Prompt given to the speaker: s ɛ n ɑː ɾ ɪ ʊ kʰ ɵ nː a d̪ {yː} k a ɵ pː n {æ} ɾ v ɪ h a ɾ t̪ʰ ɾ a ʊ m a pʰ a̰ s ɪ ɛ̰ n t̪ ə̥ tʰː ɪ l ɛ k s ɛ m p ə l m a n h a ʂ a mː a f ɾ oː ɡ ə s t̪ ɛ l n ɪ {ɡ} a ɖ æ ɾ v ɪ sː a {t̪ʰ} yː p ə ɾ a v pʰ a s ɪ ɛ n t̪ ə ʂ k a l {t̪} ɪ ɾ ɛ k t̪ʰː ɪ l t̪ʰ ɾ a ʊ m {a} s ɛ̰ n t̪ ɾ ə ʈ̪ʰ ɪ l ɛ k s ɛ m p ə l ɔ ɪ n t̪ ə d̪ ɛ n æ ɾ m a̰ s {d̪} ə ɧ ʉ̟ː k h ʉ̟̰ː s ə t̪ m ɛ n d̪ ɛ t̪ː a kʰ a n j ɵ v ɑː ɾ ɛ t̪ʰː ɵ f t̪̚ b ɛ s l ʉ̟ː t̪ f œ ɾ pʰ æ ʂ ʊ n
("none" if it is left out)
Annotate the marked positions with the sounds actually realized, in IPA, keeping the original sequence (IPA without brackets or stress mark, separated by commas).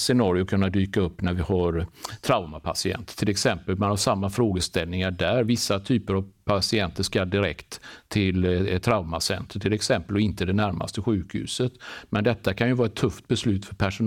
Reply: yː, æ, ŋ, t̪ʰ, d̪, a, t̪